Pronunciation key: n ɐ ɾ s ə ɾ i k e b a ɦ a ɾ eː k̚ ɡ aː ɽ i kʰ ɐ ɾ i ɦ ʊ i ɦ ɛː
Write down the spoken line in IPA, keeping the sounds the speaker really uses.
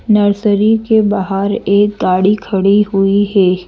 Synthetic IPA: n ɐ ɾ s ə ɾ i k e b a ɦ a ɾ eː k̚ ɡ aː ɽ i kʰ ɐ ɽ i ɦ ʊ i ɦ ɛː